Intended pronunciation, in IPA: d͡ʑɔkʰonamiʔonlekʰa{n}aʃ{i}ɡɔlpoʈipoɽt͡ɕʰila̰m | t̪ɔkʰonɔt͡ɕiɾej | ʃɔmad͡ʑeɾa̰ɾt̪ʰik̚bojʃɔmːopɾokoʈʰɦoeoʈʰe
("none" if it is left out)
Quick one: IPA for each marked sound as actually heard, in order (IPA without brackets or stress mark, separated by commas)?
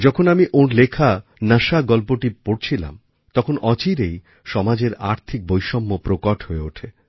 n, a